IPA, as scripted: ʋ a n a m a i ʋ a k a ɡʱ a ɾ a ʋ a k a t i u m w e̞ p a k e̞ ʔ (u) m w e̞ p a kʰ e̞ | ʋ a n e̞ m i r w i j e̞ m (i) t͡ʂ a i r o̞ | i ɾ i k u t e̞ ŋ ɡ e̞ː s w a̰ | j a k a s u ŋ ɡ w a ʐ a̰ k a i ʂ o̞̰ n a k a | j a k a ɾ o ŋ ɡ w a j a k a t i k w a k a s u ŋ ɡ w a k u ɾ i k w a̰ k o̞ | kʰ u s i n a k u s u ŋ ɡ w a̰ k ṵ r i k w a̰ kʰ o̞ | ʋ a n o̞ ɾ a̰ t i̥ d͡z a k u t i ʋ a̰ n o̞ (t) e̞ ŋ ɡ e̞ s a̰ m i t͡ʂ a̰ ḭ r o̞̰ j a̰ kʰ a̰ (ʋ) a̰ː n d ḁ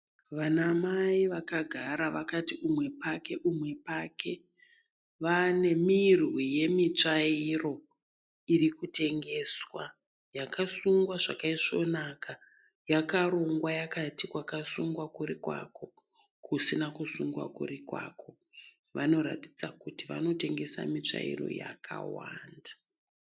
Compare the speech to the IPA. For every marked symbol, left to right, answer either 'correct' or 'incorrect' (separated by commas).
correct, correct, correct, incorrect